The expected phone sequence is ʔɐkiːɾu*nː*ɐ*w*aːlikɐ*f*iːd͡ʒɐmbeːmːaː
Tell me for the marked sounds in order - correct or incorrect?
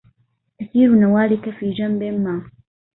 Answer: incorrect, correct, correct

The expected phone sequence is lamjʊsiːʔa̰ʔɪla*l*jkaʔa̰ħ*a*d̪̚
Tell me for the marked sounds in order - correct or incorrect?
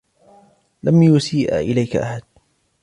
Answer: incorrect, correct

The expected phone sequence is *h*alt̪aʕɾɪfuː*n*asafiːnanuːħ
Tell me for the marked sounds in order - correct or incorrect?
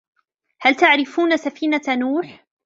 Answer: correct, correct

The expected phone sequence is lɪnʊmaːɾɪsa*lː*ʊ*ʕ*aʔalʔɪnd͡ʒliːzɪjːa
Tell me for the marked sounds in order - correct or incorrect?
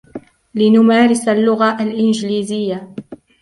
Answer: correct, incorrect

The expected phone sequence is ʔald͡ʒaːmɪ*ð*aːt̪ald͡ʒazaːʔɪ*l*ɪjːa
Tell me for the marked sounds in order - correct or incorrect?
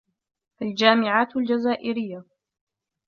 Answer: incorrect, incorrect

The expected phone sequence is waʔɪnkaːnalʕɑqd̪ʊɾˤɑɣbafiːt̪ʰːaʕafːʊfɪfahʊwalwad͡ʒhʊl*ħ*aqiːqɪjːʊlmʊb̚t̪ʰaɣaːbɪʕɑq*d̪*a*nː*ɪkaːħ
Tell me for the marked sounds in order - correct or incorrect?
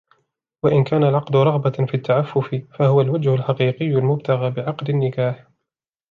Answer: correct, correct, correct

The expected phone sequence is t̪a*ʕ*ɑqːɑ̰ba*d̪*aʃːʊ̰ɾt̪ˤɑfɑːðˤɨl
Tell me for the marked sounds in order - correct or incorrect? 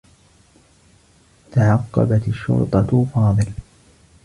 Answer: correct, incorrect

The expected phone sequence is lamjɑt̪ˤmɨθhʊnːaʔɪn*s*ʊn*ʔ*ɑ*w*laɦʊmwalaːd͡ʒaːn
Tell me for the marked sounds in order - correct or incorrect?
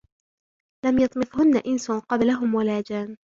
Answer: correct, incorrect, incorrect

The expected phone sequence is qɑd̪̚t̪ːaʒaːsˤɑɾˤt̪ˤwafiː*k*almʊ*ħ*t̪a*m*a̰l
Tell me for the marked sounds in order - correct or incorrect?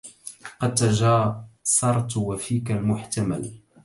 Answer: correct, correct, correct

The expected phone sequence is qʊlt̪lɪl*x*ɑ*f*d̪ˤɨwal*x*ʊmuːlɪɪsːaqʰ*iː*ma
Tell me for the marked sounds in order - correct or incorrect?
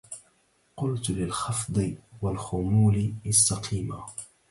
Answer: correct, correct, correct, correct

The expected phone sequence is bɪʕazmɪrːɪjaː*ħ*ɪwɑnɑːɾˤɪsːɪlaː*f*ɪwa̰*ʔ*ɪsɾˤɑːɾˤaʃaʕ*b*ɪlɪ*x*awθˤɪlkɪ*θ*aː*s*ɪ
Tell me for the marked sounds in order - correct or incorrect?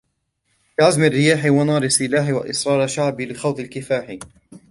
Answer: correct, incorrect, correct, correct, correct, incorrect, incorrect

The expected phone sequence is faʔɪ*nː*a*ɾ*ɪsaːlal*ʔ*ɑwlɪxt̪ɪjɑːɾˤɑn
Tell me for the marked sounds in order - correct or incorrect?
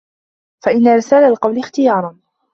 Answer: correct, correct, incorrect

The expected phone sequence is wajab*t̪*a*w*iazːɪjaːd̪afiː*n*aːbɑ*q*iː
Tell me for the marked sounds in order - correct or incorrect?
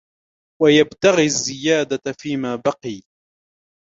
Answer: correct, incorrect, incorrect, correct

